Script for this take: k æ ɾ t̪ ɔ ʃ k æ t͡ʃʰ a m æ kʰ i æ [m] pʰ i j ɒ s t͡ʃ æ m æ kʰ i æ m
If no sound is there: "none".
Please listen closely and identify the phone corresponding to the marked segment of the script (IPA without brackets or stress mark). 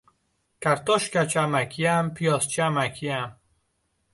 m